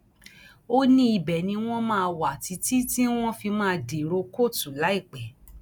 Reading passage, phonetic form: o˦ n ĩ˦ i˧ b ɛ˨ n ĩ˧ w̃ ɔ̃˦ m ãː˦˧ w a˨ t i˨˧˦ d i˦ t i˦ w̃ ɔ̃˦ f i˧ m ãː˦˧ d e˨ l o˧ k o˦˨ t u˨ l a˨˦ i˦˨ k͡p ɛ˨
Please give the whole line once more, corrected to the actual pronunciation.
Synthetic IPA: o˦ n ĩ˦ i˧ b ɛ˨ n ĩ˧ w̃ ɔ̃˦ m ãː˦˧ w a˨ t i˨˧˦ t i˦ t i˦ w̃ ɔ̃˦ f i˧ m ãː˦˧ d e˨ ɾ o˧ k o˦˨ t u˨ l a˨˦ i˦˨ k͡p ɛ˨